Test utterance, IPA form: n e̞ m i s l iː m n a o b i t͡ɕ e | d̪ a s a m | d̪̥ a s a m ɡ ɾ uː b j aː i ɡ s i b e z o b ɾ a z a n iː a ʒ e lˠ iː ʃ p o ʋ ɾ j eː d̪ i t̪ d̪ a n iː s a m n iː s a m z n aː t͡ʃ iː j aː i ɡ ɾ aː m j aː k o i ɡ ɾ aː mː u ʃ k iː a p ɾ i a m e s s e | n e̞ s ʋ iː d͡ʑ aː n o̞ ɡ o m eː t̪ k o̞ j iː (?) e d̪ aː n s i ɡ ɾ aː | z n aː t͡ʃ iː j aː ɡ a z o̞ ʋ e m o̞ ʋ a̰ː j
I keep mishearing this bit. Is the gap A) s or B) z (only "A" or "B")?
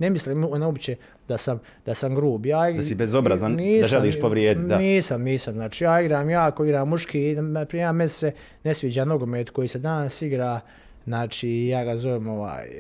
A